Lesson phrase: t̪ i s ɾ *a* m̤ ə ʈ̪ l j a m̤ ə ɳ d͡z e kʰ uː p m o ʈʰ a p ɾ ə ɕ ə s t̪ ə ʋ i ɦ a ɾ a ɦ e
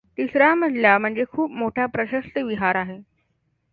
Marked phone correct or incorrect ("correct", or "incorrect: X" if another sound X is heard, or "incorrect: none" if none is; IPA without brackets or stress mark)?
correct